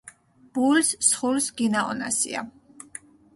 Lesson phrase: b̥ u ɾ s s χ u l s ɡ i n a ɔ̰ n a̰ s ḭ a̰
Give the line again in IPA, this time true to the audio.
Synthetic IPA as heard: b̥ u l s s χ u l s ɡ i n a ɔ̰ n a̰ s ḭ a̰